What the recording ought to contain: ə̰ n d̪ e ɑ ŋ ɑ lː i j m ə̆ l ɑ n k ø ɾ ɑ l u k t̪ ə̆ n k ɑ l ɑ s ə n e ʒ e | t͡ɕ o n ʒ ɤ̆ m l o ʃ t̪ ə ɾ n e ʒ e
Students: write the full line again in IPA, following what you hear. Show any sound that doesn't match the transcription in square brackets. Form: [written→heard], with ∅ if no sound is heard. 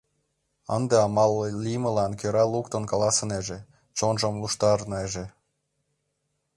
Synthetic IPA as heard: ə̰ n d̪ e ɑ [ŋ→m] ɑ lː i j m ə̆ l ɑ n k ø ɾ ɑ l u k t̪ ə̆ n k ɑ l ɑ s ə n e ʒ e | t͡ɕ o n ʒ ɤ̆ m l [o→u] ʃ t̪ [ə→ɑ] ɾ n e ʒ e